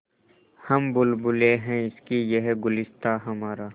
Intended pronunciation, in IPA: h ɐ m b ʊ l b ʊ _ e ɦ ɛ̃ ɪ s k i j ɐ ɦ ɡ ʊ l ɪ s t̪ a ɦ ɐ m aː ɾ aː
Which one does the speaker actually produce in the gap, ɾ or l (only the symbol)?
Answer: l